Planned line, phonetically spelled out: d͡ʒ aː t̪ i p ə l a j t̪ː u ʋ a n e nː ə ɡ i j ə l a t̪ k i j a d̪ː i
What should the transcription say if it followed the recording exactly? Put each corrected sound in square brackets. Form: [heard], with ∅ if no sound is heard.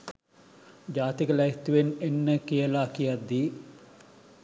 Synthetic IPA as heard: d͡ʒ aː t̪ i [k] ə l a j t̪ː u ʋ [e] n e nː ə [k] i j ə l a [∅] k i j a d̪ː i